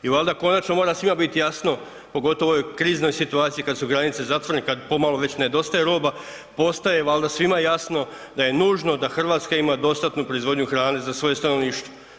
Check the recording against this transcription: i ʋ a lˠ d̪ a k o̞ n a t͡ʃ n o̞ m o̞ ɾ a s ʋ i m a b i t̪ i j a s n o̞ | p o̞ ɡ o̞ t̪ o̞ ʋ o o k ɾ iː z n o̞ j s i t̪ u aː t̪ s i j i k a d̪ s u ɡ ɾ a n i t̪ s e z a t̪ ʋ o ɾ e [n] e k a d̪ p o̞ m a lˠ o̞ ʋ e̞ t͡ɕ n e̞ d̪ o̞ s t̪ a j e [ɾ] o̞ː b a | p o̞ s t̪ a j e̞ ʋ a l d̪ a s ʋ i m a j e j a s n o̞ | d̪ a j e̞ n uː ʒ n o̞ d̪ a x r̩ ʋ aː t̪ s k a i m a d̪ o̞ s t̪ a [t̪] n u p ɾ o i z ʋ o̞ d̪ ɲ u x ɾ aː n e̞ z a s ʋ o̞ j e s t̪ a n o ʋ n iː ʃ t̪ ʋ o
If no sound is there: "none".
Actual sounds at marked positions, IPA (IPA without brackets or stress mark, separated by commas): n, ɾ, t̪